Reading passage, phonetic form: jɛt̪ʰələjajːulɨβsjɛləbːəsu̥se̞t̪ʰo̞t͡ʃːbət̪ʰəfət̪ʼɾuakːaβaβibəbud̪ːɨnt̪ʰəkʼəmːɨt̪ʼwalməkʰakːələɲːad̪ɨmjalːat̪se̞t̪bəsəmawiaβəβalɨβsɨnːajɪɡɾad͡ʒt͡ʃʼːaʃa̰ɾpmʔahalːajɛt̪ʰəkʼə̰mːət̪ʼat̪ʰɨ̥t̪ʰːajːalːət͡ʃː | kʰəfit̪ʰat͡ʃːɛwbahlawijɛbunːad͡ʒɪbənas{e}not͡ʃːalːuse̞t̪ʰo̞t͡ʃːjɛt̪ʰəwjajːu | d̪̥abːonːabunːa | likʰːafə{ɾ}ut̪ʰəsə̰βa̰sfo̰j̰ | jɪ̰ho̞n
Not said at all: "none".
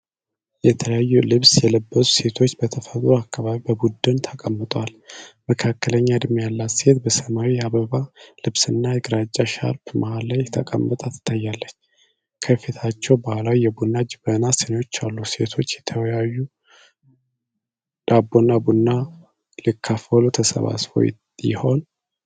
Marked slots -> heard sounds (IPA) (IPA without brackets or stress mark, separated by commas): e, l